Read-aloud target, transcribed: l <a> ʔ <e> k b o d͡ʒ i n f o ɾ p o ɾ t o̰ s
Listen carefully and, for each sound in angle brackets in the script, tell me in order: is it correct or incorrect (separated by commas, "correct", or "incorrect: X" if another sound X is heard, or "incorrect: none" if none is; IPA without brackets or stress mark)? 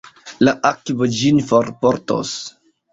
correct, incorrect: a